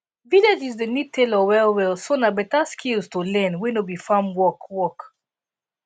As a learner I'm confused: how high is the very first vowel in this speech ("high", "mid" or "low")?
high